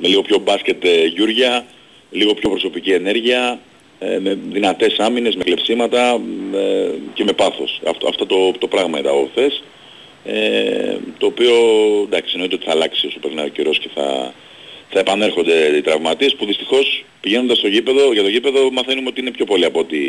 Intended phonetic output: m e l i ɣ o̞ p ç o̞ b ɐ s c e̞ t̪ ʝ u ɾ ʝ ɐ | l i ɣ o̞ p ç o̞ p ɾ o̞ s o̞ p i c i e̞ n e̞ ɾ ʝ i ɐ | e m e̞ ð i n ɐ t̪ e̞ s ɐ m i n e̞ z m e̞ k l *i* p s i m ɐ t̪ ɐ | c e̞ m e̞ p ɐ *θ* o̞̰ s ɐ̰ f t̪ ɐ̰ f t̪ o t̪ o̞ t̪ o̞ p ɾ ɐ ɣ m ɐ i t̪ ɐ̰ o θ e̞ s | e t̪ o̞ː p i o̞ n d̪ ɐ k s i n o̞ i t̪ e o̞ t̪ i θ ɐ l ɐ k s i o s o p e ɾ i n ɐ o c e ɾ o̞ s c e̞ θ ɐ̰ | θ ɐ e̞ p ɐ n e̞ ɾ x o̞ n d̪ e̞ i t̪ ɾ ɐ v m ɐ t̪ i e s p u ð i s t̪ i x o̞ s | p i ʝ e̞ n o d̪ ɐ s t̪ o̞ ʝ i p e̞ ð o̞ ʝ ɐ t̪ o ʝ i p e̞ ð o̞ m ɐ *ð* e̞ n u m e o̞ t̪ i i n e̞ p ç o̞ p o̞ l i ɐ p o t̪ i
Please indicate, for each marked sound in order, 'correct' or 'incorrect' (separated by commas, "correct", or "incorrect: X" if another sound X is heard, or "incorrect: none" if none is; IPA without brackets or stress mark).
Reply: incorrect: e, correct, incorrect: θ